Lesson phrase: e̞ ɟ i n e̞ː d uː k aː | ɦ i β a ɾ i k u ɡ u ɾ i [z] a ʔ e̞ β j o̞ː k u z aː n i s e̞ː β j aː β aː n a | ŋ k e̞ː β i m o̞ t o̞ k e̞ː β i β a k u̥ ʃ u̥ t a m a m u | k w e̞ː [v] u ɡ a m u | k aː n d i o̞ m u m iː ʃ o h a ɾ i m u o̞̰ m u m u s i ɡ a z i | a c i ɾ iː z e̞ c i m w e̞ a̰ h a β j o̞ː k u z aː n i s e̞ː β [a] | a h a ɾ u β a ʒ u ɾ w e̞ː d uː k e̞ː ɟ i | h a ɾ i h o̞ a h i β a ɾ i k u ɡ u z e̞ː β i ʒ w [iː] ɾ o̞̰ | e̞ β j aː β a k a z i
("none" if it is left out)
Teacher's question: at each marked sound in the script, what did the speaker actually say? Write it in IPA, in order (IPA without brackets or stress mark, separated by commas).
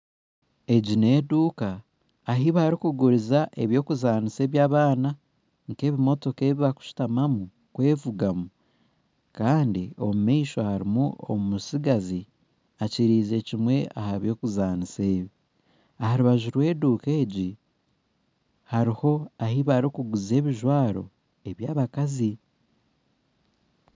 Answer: z, v, i, aː